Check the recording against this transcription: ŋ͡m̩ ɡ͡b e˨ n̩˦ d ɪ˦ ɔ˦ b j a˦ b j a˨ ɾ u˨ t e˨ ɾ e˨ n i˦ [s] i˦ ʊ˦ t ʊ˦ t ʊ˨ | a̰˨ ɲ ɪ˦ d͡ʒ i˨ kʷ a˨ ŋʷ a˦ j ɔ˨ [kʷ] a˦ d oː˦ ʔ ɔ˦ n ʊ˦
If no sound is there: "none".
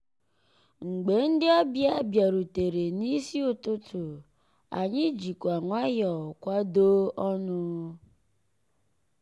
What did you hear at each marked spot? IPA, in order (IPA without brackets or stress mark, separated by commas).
s, kʷ